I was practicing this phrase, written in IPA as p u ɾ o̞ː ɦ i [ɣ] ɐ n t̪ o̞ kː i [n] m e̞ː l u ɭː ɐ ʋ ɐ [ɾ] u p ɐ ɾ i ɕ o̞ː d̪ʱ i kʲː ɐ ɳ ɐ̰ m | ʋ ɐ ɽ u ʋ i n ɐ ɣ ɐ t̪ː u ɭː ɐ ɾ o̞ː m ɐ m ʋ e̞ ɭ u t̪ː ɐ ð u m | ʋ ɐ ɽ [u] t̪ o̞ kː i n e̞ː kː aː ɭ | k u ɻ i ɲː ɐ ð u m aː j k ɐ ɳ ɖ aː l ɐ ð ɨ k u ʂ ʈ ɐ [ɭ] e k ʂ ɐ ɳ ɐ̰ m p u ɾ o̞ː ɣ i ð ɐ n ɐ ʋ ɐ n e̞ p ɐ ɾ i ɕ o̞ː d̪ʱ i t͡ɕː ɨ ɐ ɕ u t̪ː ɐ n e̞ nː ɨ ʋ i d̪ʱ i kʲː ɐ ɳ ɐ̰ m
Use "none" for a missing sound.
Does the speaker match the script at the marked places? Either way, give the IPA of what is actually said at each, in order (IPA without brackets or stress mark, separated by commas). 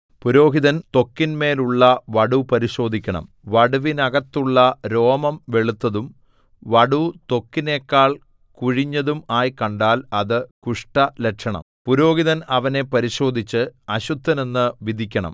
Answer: ð, n, ɽ, u, l